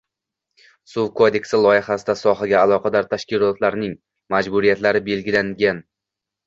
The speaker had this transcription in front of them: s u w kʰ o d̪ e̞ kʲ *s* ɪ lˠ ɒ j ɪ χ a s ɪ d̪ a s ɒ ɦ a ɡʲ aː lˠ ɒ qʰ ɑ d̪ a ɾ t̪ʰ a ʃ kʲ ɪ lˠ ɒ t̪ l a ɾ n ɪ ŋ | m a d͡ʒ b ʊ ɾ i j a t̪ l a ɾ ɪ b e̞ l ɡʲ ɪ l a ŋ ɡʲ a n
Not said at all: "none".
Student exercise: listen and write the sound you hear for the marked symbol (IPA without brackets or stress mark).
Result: s